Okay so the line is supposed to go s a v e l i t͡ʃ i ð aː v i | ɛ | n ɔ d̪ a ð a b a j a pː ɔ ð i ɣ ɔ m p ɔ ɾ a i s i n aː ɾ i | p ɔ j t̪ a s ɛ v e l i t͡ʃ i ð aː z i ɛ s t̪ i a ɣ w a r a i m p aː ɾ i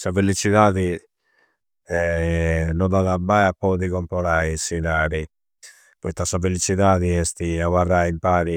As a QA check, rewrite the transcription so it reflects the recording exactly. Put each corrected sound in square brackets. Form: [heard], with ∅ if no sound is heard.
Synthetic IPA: s a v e l i t͡ʃ i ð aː [ð] i | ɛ | n ɔ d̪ a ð a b a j a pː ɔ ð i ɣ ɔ m p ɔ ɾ a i s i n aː ɾ i | p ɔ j t̪ a s [a] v e l i t͡ʃ i ð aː [ð] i ɛ s t̪ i a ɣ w a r a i m p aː ɾ i

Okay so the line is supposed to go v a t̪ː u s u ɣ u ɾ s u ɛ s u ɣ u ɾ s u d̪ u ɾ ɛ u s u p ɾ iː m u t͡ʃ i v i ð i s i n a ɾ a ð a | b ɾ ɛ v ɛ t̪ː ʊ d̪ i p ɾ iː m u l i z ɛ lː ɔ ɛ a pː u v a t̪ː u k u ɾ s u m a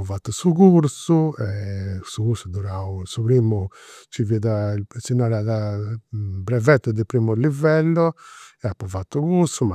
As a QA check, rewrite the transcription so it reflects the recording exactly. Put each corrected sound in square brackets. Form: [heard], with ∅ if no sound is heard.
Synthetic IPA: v a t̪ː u s u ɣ u ɾ s u ɛ s u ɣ u ɾ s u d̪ u ɾ [a] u s u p ɾ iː m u t͡ʃ i v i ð [a] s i n a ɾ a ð a | b ɾ ɛ v ɛ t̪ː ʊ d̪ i p ɾ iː m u l i [v] ɛ lː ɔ ɛ a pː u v a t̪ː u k u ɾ s u m a

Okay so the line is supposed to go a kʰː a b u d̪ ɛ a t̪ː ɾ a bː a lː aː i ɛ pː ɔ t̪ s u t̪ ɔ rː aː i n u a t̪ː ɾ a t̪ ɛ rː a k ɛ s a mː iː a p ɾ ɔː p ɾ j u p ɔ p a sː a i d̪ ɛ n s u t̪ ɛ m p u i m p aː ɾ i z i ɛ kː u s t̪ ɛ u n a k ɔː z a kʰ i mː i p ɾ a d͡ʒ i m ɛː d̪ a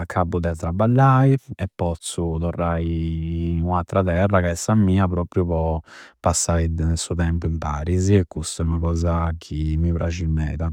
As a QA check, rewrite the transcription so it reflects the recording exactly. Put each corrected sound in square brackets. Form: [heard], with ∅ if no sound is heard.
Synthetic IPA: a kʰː a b u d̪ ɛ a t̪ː ɾ a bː a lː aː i ɛ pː ɔ t̪ s u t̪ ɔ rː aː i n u a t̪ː ɾ a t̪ ɛ rː a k ɛ s a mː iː a p ɾ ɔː p ɾ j u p ɔ p a sː a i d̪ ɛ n s u t̪ ɛ m p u i m p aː ɾ i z i ɛ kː u s t̪ ɛ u n a k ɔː z a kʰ i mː i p ɾ a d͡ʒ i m ɛː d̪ a

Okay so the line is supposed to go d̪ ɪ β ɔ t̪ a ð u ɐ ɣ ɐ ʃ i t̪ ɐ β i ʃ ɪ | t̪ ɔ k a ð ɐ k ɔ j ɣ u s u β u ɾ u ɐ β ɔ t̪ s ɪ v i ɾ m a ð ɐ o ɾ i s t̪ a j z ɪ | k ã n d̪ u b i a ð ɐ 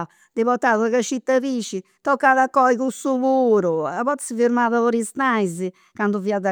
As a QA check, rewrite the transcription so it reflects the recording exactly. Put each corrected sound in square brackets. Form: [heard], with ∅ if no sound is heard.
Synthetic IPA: d̪ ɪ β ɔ t̪ a ð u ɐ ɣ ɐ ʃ i t̪ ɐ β i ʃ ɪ | t̪ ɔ k a ð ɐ k ɔ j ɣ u s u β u ɾ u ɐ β ɔ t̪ s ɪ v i ɾ m a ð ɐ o ɾ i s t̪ a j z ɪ | k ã n d̪ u [v] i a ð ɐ

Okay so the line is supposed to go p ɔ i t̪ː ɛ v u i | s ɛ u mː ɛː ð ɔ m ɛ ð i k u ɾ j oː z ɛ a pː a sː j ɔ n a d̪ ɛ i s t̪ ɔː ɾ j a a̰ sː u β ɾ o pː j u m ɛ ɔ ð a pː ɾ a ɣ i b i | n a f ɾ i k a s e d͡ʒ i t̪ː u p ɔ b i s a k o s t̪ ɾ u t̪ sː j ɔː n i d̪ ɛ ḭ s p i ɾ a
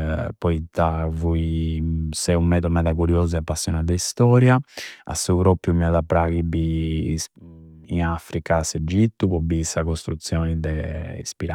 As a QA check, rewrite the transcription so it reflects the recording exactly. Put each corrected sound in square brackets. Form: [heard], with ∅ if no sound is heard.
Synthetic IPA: p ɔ i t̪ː [a] v u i | s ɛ u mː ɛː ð ɔ m ɛ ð [a] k u ɾ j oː z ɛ a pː a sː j ɔ n a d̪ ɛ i s t̪ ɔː ɾ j a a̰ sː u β ɾ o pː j u m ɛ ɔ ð a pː ɾ a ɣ i b i | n a f ɾ i k a s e d͡ʒ i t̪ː u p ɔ b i s a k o s t̪ ɾ u t̪ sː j ɔː n i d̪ ɛ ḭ s p i ɾ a

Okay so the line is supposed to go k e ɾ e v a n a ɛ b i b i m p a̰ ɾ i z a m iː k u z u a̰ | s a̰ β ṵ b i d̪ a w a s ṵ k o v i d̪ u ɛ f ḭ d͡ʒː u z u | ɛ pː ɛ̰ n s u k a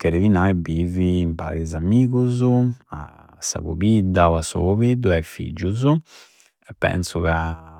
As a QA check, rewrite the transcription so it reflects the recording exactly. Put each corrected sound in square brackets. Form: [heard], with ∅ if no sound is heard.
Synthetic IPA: k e ɾ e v [i] n a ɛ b i [v] i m p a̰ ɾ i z a m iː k u z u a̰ | s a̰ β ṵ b i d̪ a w a s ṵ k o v i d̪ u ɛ f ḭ d͡ʒː u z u | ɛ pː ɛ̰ n s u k a

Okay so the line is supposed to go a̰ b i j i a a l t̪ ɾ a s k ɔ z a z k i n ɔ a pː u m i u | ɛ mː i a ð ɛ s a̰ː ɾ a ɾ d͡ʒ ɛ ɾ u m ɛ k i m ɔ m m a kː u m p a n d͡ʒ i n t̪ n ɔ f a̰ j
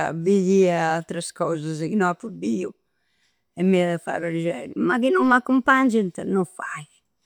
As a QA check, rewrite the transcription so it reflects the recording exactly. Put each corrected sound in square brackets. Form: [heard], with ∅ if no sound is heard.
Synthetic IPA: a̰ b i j i a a l t̪ ɾ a s k ɔ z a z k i n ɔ a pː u [b] i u | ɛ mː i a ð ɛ [f] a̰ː ɾ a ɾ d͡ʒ ɛ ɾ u m [a] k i [n] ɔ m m a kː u m p a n d͡ʒ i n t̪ n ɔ f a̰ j

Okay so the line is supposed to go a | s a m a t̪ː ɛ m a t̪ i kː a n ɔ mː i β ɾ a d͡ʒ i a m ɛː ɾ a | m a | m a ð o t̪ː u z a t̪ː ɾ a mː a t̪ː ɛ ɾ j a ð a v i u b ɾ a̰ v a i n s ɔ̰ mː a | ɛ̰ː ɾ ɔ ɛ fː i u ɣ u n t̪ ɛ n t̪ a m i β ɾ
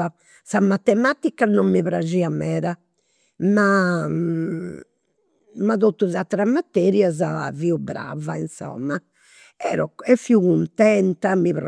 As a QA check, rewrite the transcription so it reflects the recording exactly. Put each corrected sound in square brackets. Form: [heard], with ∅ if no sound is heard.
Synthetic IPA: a | s a m a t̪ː ɛ m a t̪ i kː a n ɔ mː i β ɾ a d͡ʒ i a m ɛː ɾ a | m a | m a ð o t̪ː u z a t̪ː ɾ a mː a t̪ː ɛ ɾ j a [z] a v i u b ɾ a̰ v a i n s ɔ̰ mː a | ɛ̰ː ɾ ɔ ɛ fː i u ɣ u n t̪ ɛ n t̪ a m i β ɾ

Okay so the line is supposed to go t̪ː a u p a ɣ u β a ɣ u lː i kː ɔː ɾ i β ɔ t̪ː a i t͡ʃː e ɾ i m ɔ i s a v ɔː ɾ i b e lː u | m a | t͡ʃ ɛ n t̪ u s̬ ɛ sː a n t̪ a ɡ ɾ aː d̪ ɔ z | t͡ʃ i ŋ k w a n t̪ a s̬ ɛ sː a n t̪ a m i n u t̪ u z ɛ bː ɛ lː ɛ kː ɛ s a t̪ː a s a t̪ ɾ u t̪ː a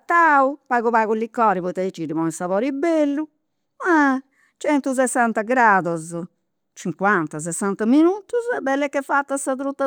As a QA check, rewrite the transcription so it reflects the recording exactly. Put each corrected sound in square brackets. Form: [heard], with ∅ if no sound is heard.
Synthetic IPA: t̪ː a u p a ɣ u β a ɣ u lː i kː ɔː ɾ i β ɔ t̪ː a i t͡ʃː [i] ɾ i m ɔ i s a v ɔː ɾ i b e lː u | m a | t͡ʃ ɛ n t̪ u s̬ ɛ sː a n t̪ a ɡ ɾ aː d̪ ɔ z | t͡ʃ i ŋ k w a n t̪ a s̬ ɛ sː a n t̪ a m i n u t̪ u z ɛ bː ɛ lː ɛ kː ɛ [f] a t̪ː a s a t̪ ɾ u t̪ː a

